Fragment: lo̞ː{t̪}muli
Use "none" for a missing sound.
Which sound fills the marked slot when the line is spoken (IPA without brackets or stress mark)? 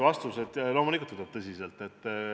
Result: none